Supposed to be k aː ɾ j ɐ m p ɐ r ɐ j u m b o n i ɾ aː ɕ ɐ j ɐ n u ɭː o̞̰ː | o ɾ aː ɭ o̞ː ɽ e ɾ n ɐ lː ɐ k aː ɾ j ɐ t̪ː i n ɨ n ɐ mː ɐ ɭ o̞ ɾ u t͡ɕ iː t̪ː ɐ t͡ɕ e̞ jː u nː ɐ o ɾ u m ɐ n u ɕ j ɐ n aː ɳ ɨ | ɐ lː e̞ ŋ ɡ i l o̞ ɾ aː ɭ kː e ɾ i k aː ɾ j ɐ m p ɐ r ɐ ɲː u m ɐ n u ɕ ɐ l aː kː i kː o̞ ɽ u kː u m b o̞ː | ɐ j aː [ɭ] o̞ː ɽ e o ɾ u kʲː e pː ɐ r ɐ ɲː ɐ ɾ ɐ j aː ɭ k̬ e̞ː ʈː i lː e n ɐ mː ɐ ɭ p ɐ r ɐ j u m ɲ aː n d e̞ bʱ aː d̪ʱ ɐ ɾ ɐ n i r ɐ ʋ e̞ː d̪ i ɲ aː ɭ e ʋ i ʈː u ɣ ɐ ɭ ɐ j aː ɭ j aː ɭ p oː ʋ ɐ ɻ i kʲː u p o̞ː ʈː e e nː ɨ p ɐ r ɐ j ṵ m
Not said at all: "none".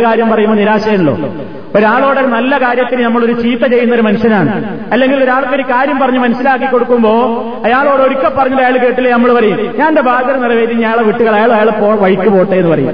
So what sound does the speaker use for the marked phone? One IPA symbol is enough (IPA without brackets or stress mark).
ɭ